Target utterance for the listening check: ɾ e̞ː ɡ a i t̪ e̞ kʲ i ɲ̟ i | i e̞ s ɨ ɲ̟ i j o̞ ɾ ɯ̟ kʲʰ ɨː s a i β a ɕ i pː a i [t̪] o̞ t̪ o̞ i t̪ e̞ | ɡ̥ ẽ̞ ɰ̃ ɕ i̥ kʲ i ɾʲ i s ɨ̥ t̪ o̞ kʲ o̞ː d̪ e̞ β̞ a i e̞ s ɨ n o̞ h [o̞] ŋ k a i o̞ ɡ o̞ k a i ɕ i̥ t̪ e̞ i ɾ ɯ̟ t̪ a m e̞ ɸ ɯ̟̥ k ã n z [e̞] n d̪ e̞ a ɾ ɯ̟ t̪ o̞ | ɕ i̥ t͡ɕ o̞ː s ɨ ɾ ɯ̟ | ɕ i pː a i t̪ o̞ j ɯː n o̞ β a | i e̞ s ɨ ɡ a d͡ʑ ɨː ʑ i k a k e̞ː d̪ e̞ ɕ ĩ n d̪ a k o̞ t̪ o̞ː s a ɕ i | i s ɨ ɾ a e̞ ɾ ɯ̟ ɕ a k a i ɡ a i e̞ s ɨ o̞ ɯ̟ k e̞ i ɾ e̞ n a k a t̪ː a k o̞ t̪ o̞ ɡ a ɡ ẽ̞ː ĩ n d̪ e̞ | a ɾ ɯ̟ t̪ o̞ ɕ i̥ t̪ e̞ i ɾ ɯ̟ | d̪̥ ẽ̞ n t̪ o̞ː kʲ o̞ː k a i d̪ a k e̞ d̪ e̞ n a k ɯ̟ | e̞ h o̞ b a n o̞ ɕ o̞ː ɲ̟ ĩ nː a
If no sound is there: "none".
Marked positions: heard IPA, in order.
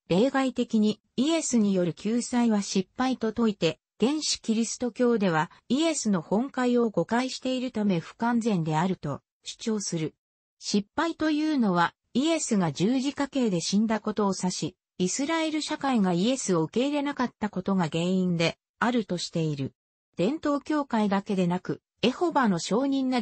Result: t̪, õ̞, ẽ̞

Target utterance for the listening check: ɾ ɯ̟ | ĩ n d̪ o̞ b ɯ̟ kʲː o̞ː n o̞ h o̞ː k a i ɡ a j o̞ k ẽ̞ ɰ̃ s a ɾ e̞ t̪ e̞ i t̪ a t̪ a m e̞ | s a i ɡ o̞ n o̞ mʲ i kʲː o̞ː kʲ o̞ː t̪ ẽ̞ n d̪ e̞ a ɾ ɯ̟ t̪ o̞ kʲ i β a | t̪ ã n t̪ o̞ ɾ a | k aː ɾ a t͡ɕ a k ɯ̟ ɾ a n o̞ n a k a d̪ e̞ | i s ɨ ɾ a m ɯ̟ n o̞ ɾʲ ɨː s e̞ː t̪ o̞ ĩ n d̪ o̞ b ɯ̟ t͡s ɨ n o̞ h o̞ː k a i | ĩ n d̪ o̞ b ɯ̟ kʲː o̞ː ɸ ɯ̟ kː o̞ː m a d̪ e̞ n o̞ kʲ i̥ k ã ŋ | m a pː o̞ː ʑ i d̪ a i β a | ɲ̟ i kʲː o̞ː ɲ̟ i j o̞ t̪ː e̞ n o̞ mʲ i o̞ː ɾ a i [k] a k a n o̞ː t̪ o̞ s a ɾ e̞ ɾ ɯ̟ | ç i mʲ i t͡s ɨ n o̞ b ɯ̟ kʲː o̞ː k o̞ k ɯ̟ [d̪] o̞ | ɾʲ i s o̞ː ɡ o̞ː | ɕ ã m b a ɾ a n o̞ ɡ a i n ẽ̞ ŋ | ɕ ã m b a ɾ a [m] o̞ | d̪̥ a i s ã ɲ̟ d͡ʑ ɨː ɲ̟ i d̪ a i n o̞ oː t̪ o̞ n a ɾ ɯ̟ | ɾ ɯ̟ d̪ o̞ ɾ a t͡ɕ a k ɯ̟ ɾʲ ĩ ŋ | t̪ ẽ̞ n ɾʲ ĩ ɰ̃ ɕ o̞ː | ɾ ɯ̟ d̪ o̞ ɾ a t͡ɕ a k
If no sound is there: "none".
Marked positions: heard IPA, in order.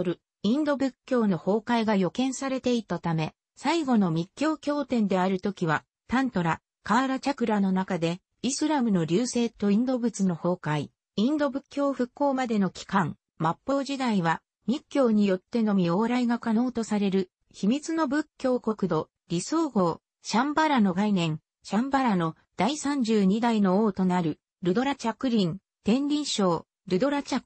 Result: ɡ, d̪, n

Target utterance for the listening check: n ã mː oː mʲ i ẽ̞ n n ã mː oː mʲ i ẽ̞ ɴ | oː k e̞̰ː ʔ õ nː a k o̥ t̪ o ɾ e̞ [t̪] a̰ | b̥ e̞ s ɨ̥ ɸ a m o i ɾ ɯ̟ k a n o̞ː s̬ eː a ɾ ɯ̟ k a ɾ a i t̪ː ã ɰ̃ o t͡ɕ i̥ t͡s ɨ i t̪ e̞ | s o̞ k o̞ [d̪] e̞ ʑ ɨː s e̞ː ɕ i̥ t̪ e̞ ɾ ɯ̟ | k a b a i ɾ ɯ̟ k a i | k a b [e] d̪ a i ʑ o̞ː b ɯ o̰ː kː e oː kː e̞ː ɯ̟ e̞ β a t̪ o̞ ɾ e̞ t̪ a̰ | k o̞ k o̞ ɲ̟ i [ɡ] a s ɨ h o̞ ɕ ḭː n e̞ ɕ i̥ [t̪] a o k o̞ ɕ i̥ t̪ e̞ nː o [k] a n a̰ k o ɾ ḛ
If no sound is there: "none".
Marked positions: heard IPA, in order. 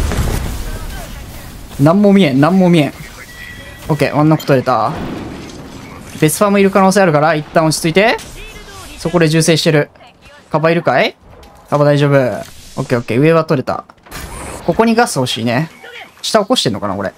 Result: t̪, d̪, a, ɡ, t̪, k

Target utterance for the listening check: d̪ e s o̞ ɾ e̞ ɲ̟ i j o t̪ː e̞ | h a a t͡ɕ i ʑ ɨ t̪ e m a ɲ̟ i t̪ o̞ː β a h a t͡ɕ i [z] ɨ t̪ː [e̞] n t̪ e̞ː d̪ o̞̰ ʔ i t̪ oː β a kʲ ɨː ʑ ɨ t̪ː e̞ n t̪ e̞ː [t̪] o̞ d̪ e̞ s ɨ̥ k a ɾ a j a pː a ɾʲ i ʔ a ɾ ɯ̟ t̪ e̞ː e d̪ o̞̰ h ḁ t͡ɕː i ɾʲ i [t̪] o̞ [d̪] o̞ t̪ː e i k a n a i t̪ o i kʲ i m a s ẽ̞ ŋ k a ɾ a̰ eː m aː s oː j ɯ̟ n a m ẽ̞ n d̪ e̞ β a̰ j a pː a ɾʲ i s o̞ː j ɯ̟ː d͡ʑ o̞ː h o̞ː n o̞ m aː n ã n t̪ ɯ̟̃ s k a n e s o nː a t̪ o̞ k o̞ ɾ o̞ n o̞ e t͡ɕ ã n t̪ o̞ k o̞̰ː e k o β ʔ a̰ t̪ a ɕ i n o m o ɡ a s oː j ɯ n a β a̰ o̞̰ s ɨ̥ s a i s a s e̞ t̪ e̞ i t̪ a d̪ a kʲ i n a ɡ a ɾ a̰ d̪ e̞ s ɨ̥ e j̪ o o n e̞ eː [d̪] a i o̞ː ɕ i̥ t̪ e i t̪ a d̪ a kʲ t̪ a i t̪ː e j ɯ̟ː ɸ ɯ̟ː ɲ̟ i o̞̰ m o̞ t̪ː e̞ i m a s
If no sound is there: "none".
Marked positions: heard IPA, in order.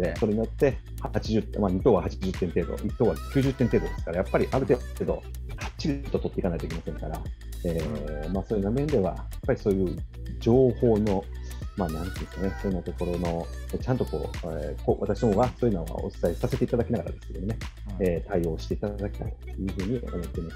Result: ʑ, ẽ̞, d̪, t̪, t̪, t̪

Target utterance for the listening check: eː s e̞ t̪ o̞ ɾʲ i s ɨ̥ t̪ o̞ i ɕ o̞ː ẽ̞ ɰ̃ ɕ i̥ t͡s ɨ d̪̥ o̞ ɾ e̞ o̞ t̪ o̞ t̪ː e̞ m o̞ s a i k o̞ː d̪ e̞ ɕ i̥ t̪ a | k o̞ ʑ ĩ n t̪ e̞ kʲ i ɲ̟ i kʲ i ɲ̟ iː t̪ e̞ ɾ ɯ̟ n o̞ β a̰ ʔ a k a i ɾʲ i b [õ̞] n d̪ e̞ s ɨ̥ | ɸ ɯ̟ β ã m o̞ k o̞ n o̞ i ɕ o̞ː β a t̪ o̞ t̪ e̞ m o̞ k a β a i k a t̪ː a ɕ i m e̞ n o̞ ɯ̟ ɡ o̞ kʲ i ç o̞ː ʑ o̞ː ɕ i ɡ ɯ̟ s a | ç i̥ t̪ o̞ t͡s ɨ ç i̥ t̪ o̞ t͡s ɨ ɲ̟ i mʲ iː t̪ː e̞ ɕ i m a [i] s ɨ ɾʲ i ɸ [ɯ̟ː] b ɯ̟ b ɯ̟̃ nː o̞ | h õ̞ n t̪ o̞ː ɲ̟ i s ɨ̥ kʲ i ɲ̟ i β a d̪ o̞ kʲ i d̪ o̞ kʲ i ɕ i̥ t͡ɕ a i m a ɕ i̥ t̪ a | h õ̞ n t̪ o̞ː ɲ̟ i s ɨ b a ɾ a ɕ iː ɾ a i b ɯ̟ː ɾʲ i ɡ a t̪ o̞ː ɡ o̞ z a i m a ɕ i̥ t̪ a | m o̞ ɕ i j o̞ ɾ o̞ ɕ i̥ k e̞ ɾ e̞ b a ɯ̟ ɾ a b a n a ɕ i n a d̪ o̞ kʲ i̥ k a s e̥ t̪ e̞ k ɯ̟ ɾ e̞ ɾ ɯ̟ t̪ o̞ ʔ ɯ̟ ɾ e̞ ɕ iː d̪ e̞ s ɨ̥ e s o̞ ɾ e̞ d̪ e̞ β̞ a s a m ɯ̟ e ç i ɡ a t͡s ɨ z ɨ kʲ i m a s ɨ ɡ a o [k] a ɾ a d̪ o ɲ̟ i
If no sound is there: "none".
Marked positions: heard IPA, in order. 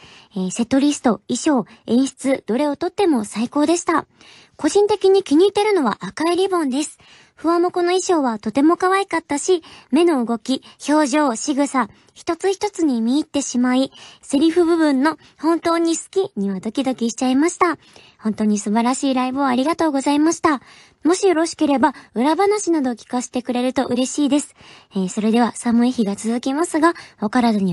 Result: õ̞, i, ɯ̟, k

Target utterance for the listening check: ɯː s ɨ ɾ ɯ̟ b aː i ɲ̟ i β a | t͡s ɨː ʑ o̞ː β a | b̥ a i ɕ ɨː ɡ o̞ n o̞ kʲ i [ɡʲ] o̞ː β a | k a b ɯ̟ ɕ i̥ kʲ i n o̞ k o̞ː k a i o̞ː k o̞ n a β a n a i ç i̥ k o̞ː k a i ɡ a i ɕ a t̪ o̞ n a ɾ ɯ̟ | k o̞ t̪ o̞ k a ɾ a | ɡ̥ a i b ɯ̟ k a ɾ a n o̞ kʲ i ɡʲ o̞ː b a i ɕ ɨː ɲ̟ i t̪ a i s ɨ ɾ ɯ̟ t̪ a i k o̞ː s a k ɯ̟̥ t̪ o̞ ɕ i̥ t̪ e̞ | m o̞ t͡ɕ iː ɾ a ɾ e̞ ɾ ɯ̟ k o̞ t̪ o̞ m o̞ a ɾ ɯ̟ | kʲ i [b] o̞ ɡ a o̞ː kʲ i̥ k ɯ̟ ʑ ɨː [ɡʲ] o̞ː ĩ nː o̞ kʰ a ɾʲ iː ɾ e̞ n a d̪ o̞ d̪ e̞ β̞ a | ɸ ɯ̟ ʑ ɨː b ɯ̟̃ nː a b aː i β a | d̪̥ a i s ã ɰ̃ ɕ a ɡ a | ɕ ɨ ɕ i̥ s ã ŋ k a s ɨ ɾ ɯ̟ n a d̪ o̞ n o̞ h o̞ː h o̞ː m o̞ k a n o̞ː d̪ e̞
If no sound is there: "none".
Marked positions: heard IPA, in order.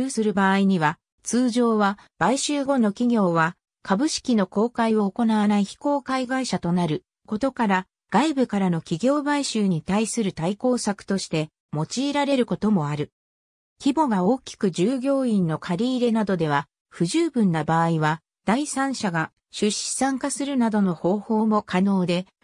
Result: ɡʲ, b, ɡʲ

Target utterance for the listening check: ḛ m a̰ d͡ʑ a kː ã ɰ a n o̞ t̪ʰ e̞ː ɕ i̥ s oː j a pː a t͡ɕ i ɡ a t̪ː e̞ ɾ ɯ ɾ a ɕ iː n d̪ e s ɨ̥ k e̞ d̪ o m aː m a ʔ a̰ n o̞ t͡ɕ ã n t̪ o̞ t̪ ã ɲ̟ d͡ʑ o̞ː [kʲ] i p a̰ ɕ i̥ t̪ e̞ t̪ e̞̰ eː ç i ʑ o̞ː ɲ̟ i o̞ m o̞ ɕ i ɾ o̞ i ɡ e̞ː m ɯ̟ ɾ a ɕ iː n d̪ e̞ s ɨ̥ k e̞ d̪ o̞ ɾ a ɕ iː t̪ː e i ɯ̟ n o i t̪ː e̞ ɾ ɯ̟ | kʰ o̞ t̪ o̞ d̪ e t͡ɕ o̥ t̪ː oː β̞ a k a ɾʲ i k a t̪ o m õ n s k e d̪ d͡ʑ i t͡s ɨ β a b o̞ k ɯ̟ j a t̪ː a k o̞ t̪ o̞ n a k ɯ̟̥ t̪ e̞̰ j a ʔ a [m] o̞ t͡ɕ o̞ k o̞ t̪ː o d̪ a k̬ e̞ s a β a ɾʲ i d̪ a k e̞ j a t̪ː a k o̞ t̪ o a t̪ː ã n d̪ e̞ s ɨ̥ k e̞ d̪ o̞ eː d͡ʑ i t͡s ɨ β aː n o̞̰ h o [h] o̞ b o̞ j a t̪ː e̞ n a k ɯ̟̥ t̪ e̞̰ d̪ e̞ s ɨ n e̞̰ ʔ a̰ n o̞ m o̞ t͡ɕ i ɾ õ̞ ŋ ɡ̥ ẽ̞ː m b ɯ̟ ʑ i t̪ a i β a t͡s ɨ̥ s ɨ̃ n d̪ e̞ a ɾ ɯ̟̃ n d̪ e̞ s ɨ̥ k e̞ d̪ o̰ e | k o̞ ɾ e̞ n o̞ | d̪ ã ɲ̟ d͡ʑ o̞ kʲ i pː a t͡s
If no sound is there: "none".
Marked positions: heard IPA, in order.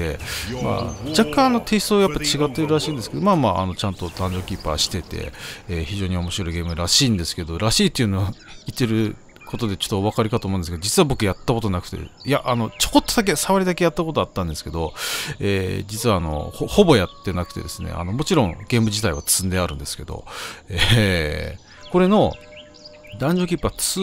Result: kʲ, n, h

